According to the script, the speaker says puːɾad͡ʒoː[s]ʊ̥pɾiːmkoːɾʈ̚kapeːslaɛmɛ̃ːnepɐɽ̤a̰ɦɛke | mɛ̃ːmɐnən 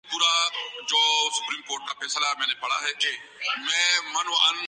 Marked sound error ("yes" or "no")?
no